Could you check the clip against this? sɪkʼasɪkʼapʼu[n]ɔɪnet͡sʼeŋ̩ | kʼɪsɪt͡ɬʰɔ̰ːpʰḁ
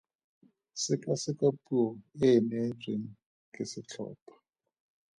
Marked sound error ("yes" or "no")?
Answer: yes